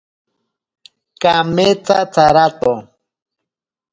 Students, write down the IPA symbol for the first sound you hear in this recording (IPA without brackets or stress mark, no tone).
k